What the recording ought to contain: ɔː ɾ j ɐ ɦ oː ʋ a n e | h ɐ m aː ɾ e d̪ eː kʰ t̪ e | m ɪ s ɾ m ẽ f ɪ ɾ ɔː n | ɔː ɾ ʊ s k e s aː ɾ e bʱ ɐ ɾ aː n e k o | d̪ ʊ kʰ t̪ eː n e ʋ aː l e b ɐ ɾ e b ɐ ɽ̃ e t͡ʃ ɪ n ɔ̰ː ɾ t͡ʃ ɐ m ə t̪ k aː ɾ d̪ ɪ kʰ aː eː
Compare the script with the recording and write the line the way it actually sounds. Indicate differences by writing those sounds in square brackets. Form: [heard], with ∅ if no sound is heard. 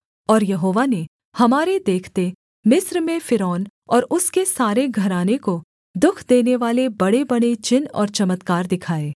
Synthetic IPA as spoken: ɔː ɾ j ɐ ɦ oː ʋ a n e | h ɐ m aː ɾ e d̪ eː kʰ t̪ e | m ɪ s ɾ m ẽ f ɪ ɾ ɔː n | ɔː ɾ ʊ s k e s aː ɾ e [ɡʱ] ɐ ɾ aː n e k o | d̪ ʊ kʰ [d̪] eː n e ʋ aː l e b ɐ [ɽ] e b ɐ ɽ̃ e t͡ʃ ɪ n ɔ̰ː ɾ t͡ʃ ɐ m ə t̪ k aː ɾ d̪ ɪ kʰ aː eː